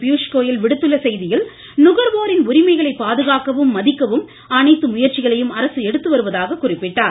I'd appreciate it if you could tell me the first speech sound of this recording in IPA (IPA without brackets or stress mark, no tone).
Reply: p